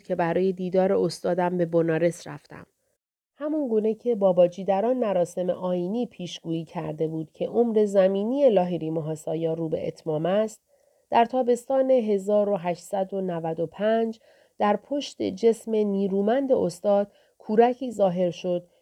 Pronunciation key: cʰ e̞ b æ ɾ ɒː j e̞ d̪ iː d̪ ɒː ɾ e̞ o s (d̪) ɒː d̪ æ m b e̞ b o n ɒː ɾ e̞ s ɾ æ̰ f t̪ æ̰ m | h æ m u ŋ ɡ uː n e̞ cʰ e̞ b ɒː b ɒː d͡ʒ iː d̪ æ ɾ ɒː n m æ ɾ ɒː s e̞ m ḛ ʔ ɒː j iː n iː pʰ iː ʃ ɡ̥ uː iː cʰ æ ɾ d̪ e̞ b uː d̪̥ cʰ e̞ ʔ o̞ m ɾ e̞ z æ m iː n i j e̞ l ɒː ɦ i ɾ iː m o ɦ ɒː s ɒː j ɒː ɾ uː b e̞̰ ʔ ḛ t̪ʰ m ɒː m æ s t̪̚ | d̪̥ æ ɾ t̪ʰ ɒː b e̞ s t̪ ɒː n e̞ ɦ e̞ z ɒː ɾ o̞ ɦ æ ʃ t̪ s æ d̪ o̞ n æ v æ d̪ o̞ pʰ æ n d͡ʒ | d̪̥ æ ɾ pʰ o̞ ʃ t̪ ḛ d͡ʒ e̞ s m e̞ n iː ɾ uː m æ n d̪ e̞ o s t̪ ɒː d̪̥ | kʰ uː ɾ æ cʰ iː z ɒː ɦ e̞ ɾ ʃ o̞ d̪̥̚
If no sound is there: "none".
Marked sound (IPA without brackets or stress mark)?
t̪